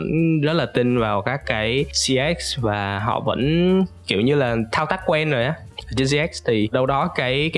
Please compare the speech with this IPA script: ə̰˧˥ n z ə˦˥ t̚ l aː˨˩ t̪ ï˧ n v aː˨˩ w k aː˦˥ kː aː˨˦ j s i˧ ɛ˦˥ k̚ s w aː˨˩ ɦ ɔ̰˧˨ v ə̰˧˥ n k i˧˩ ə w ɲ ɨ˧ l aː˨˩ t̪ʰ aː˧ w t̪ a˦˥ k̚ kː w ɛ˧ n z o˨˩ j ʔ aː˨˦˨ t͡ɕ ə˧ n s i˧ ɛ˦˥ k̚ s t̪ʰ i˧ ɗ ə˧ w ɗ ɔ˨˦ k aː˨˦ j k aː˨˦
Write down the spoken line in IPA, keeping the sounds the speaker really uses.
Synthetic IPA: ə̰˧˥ n z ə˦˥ t̚ l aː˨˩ t̪ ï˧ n v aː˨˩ w k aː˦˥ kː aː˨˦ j s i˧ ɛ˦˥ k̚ s v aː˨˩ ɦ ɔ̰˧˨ v ə̰˧˥ n k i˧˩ ə w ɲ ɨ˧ l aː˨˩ t̪ʰ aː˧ w t̪ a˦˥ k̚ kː w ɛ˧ n z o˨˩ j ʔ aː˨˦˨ t͡ɕ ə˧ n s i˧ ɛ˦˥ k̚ s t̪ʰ i˨˩ ɗ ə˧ w ɗ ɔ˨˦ k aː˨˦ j k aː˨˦

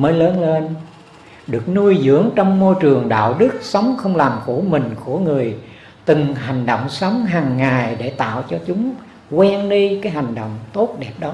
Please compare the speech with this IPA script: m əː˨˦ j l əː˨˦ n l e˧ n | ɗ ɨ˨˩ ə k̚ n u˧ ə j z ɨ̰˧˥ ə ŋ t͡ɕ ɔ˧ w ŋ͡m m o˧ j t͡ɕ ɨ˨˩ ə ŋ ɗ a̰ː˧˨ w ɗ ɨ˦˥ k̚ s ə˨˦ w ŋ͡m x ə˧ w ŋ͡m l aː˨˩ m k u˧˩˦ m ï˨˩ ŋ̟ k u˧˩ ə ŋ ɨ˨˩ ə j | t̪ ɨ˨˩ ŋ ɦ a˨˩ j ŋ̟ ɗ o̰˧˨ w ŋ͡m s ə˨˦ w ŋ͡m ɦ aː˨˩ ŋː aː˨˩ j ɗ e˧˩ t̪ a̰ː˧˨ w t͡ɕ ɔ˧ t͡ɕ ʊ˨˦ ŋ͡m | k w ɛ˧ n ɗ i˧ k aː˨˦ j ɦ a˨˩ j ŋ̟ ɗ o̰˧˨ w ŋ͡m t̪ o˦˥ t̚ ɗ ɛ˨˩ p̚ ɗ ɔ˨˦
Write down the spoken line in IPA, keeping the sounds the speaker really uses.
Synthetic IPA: m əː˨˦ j l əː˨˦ n l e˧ n | ɗ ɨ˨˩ ə k̚ n u˧ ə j z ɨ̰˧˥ ə ŋ t͡ɕ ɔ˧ w ŋ͡m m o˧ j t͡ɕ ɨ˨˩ ə ŋ ɗ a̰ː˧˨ w ɗ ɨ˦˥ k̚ s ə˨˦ w ŋ͡m x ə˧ w ŋ͡m l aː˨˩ m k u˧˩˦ m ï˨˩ ŋ̟ k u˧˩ ə ŋ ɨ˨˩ ə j | t̪ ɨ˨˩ ŋ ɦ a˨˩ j ŋ̟ ɗ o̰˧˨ w ŋ͡m s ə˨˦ w ŋ͡m ɦ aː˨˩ ŋː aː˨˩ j ɗ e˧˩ t̪ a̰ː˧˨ w t͡ɕ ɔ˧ t͡ɕ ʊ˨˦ ŋ͡m | k w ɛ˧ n ɗ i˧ k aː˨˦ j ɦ a˨˩ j ŋ̟ ɗ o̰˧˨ w ŋ͡m t̪ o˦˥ t̚ ɗ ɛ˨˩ p̚ ɗ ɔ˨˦

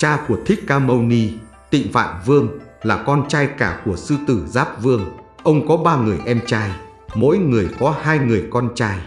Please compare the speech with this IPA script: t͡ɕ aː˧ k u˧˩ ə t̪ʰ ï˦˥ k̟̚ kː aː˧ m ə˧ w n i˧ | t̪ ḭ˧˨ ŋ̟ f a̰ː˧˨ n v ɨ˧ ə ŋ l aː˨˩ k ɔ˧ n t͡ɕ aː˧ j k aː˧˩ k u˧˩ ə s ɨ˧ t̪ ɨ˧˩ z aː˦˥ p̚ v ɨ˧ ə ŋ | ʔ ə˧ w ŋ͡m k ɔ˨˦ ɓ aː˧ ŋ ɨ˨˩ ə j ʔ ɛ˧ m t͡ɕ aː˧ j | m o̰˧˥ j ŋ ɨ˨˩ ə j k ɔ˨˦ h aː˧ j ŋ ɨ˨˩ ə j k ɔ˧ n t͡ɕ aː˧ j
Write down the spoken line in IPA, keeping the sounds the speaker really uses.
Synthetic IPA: t͡ɕ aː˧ k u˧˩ ə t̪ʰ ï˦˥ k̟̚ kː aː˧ m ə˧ w n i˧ | t̪ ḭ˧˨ ŋ̟ f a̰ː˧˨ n v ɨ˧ ə ŋ l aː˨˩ k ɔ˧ n t͡ɕ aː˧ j k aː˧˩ k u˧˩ ə s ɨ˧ t̪ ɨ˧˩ z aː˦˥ p̚ v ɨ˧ ə ŋ | ʔ ə˧ w ŋ͡m k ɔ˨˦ ɓ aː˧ ŋ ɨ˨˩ ə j ʔ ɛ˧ m t͡ɕ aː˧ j | m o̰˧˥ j ŋ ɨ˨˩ ə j k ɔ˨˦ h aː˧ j ŋ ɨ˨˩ ə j k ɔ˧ n t͡ɕ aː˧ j

